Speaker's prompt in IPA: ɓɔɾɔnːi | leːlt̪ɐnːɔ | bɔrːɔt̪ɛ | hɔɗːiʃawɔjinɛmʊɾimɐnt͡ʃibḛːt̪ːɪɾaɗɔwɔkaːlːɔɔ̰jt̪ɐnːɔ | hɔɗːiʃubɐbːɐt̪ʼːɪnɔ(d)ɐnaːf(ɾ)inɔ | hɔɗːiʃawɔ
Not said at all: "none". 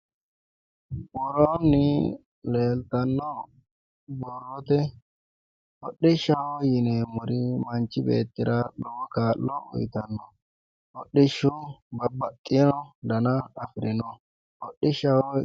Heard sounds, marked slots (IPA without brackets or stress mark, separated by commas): d, ɾ